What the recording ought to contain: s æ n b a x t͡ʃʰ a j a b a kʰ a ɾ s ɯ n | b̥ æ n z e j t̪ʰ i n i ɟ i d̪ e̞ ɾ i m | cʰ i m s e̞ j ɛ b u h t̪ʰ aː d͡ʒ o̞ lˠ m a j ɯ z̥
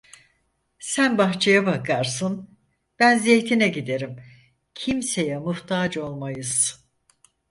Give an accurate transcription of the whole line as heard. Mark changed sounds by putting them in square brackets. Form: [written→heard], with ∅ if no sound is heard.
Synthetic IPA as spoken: s æ n b a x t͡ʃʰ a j a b a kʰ a ɾ s ɯ n | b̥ æ n z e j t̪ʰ i n [i→ɛ] ɟ i d̪ e̞ ɾ i m | cʰ i m s e̞ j ɛ [b→m] u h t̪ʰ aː d͡ʒ o̞ lˠ m a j ɯ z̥